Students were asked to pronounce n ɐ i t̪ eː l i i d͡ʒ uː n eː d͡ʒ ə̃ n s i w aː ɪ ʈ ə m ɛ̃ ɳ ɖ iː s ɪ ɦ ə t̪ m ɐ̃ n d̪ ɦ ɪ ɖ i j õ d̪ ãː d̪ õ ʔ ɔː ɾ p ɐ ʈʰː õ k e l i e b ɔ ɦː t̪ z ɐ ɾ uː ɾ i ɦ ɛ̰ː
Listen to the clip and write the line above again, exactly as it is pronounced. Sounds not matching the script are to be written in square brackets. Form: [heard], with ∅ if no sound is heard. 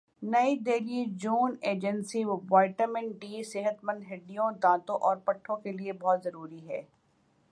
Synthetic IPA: n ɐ i [d̪] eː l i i d͡ʒ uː n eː d͡ʒ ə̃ n s i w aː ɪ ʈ ə m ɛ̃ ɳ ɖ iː s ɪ ɦ ə t̪ m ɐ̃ n d̪ ɦ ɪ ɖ i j õ d̪ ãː [t̪] õ ʔ ɔː ɾ p ɐ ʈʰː õ k e l i e b ɔ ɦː t̪ z ɐ ɾ uː ɾ i ɦ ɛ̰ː